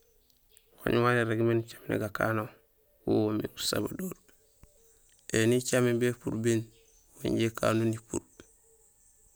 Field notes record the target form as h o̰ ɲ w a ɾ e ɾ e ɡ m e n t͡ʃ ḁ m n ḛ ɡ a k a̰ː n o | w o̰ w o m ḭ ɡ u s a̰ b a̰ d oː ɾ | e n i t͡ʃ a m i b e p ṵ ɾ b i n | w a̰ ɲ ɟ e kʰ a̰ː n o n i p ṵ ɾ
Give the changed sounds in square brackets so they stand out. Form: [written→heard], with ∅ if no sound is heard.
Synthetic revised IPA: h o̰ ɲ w a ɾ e ɾ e ɡ m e n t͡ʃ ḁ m n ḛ ɡ a k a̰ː n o | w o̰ w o m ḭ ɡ u s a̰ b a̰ d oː ɾ | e n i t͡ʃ a m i b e p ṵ ɾ b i n | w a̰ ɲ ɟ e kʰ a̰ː n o n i p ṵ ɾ

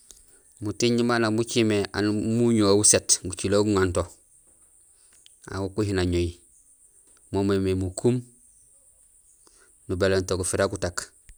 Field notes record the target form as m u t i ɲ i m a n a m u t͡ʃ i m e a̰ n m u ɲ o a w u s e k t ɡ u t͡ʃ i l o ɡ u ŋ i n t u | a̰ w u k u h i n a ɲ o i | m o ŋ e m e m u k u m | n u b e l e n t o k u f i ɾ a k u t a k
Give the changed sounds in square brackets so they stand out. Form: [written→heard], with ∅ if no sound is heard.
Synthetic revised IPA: m u t i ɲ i m a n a m u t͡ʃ i m e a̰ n m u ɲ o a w u s e [k→∅] t ɡ u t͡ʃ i l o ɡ u ŋ [i→a] n t [u→o] | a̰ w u k u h i n a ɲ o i | m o [ŋ→m] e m e m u k u m | n u b e l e n t o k u f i ɾ a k u t a k

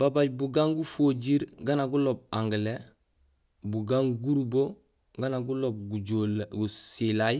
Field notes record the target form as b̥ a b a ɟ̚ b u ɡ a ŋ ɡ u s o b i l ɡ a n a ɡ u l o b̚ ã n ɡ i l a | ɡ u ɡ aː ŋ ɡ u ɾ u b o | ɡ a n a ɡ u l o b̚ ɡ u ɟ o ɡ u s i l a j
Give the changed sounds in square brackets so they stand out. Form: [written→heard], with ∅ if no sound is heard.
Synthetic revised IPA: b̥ a b a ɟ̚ b u ɡ a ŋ ɡ u [s→f] o [b→ɟ] i [l→ɾ] ɡ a n a ɡ u l o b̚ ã [n→ŋ] ɡ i l [a→e] | [ɡ→b] u ɡ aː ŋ ɡ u ɾ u b o | ɡ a n a ɡ u l o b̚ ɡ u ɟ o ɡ u s i l a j

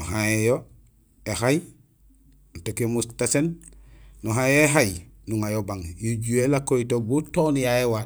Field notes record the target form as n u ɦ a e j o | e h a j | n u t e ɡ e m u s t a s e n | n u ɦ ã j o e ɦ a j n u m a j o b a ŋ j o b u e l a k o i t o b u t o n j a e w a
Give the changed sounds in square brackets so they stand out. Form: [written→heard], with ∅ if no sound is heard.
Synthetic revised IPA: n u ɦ a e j o | e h a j | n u t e [ɡ→k] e m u s t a s e n | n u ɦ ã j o e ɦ a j n u [m→ŋ] a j o b a ŋ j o [b→ɟ] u e l a k o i t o b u t o n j a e w a

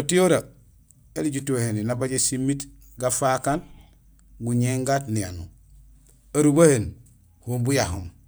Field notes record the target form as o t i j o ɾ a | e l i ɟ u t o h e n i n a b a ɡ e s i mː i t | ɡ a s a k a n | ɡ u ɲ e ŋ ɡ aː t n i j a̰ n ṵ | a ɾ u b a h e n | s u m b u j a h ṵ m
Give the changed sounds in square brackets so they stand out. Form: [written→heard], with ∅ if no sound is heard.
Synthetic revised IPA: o t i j o ɾ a | e l i ɟ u t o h e n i n a b a [ɡ→ɟ] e s i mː i t | ɡ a [s→f] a k a n | ɡ u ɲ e ŋ ɡ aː t n i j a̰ n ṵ | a ɾ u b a h e n | [s→h] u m b u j a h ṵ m

